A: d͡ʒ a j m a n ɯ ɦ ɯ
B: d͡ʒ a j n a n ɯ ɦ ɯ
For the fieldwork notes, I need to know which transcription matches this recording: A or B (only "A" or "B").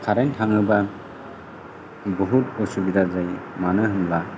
A